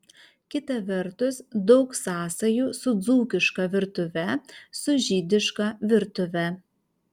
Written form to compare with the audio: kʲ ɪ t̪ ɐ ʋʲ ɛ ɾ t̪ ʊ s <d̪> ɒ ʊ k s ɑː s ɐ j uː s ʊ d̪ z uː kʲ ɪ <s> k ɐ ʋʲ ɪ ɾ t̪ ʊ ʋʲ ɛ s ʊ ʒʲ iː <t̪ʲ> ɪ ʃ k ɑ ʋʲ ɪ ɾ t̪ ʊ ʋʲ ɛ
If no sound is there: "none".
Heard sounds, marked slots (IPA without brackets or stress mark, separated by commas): d̪, ʃ, d̪ʲ